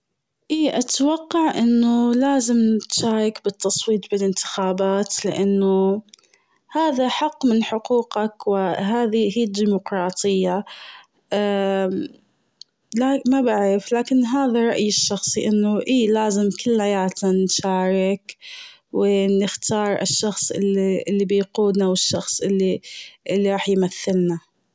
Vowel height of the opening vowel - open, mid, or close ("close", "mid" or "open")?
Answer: close